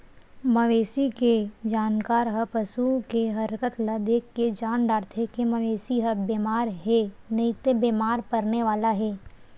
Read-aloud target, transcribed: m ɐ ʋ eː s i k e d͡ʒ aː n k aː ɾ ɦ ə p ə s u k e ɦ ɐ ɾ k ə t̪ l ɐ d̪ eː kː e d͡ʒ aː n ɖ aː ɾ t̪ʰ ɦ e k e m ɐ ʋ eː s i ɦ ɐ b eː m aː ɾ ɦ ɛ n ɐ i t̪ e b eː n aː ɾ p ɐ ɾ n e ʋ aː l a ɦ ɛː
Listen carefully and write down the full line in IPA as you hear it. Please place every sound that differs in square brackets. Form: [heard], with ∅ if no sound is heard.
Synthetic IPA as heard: m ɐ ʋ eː s i k e d͡ʒ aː n k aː ɾ ɦ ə p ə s u k e ɦ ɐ ɾ k ə t̪ l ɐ d̪ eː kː e d͡ʒ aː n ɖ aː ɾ t̪ʰ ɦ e k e m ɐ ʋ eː s i ɦ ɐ b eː m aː ɾ ɦ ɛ n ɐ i t̪ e b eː [m] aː ɾ p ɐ ɾ n e ʋ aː l a ɦ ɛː